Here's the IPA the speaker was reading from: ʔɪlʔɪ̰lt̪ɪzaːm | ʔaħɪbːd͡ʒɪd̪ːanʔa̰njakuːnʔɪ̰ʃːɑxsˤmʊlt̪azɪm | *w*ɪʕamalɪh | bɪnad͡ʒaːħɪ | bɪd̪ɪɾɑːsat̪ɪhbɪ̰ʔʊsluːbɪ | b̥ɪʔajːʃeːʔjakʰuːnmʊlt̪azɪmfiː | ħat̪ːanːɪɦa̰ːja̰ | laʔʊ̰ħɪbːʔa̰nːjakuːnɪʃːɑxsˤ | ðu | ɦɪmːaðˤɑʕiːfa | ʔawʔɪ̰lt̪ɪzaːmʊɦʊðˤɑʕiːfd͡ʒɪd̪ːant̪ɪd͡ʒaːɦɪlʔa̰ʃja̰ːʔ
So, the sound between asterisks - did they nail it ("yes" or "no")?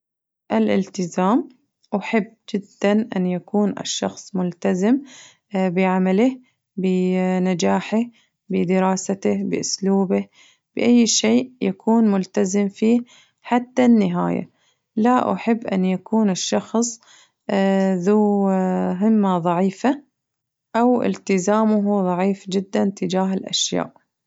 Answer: no